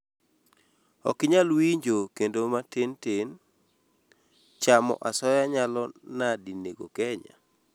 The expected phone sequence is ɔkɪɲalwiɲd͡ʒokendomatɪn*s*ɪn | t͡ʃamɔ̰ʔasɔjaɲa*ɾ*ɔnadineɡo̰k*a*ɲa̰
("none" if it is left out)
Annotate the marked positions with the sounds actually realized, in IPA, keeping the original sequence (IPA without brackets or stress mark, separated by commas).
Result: t, l, ɛ